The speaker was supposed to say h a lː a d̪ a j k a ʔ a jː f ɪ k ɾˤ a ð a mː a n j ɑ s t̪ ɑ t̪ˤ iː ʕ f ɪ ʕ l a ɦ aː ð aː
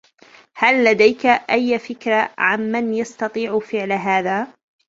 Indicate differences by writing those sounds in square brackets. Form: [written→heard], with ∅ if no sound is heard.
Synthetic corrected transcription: h a lː a d̪ a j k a ʔ a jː f ɪ k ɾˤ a [ð→ʕ] a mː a n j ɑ s t̪ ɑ t̪ˤ iː ʕ f ɪ ʕ l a ɦ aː ð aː

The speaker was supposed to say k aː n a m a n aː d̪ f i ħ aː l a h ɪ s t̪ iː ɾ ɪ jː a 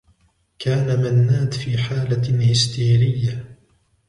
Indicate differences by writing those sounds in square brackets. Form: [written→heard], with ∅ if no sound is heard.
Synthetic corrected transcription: k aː n a m a [n→nː] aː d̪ f [i→iː] ħ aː l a h ɪ s t̪ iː ɾ ɪ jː a

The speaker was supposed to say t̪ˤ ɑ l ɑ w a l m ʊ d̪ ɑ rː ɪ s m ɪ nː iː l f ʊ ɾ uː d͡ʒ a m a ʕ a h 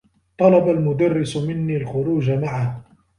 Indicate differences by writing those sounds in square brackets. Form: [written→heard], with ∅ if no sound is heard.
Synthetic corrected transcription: t̪ˤ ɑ l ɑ [w→b] a l m ʊ d̪ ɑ rː ɪ s m ɪ nː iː l [f→x] ʊ ɾ uː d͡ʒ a m a ʕ a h

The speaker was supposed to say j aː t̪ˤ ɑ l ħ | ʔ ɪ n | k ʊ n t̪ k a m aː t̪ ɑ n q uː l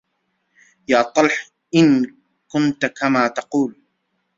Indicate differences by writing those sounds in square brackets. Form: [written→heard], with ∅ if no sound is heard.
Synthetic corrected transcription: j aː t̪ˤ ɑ l ħ | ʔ ɪ n | k ʊ n t̪ k a m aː t̪ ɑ [n→∅] q uː l

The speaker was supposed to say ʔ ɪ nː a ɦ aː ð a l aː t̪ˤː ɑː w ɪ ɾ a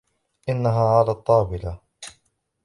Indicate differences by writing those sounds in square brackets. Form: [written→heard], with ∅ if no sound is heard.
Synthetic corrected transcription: ʔ ɪ nː a ɦ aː [ð→ʕ] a l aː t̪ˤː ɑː [w→b] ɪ [ɾ→l] a

